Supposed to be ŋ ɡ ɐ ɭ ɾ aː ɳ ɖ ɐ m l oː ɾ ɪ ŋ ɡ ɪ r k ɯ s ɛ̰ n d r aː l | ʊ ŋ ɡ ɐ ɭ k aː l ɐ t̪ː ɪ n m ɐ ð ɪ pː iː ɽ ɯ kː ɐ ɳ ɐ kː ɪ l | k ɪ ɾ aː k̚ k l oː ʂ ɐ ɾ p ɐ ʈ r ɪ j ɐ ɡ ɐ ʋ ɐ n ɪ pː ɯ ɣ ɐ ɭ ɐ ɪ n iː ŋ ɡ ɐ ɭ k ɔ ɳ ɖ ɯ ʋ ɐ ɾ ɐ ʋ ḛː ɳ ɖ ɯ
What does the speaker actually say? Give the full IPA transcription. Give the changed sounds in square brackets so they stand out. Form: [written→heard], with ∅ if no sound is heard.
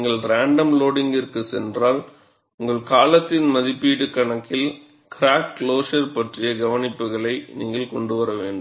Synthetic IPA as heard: ŋ ɡ ɐ ɭ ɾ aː ɳ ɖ ɐ m l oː [ɾ→ɽ] ɪ ŋ ɡ ɪ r k ɯ s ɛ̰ n d r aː l | ʊ ŋ ɡ ɐ ɭ k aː l ɐ t̪ː ɪ n m ɐ ð ɪ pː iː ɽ ɯ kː ɐ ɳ ɐ kː ɪ l | k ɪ ɾ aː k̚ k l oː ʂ ɐ ɾ p ɐ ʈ r ɪ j ɐ ɡ ɐ ʋ ɐ n ɪ pː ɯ ɣ ɐ ɭ ɐ ɪ n iː ŋ ɡ ɐ ɭ k ɔ ɳ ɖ ɯ ʋ ɐ ɾ ɐ ʋ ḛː ɳ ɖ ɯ

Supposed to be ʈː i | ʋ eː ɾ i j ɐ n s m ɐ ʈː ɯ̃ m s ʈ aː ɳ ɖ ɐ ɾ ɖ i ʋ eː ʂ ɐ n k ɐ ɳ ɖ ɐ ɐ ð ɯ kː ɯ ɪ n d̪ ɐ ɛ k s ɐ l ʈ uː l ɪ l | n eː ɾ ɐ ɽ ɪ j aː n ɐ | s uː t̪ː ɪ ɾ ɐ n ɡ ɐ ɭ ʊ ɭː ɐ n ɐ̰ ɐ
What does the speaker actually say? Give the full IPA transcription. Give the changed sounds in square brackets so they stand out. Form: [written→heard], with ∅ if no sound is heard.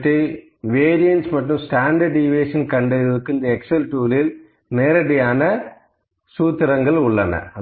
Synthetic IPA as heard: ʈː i | ʋ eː ɾ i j ɐ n s m ɐ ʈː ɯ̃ m s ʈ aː ɳ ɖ ɐ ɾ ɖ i ʋ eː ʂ ɐ n k ɐ ɳ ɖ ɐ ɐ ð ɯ kː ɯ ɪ n d̪ ɐ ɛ k s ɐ l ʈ uː l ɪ l | n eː ɾ ɐ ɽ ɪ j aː n ɐ | s uː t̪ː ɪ ɾ ɐ [n→ŋ] ɡ ɐ ɭ ʊ ɭː ɐ n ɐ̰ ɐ

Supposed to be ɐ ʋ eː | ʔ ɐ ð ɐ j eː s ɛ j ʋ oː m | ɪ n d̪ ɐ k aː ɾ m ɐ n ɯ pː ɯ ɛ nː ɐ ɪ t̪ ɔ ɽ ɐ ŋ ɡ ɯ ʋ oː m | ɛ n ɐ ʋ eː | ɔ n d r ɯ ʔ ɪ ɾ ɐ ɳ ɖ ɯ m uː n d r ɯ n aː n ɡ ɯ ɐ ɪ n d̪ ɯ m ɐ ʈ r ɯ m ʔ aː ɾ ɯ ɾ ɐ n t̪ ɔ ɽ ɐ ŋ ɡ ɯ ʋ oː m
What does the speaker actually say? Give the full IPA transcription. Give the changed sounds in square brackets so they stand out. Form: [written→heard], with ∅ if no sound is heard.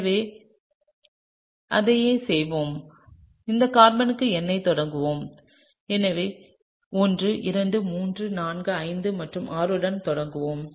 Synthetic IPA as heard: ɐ ʋ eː | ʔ ɐ ð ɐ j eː s ɛ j ʋ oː m | ɪ n d̪ ɐ k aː ɾ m ɐ n ɯ [pː→kː] ɯ ɛ nː ɐ ɪ t̪ ɔ ɽ ɐ ŋ ɡ ɯ ʋ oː m | ɛ n ɐ ʋ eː | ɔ n d r ɯ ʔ ɪ ɾ ɐ ɳ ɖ ɯ m uː n d r ɯ n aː n ɡ ɯ ɐ ɪ n d̪ ɯ m ɐ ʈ r ɯ m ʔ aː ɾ ɯ [ɾ→ɽ] ɐ n t̪ ɔ ɽ ɐ ŋ ɡ ɯ ʋ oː m

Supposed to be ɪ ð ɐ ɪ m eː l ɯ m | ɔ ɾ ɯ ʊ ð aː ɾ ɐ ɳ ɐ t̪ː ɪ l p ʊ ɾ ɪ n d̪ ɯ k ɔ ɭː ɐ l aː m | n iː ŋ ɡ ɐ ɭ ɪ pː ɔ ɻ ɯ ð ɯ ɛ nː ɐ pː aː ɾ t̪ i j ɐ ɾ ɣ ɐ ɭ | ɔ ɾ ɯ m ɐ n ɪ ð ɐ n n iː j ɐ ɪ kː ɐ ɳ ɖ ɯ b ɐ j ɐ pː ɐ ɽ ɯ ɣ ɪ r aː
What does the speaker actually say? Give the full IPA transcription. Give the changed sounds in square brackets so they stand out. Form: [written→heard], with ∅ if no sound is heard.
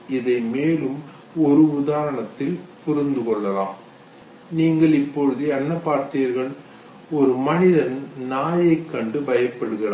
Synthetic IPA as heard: ɪ ð ɐ ɪ m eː l ɯ m | ɔ ɾ ɯ ʊ ð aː ɾ ɐ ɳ ɐ t̪ː ɪ l p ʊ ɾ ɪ n d̪ ɯ k ɔ ɭː ɐ l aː m | n iː ŋ ɡ ɐ ɭ ɪ pː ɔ ɻ ɯ ð ɯ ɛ nː ɐ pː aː ɾ t̪ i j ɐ ɾ ɣ ɐ ɭ | ɔ ɾ ɯ m ɐ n ɪ ð ɐ n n [iː→aː] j ɐ ɪ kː ɐ ɳ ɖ ɯ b ɐ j ɐ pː ɐ ɽ ɯ ɣ ɪ r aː

